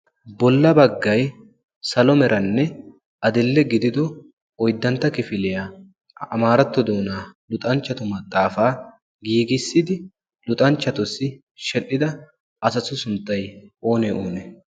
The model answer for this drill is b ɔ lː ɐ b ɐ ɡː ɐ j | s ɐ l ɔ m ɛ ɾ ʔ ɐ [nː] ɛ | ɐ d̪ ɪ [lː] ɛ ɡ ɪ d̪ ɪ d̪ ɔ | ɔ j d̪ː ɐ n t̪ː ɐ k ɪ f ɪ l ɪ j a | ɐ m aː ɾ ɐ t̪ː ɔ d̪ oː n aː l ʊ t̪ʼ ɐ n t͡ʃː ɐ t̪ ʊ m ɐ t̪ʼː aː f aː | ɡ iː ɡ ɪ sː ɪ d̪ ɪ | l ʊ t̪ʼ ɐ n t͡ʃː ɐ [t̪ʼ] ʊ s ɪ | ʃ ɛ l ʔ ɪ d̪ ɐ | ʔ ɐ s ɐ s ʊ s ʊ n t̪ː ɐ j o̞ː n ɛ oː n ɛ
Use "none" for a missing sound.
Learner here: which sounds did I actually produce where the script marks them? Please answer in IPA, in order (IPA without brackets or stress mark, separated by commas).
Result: nː, lː, t̪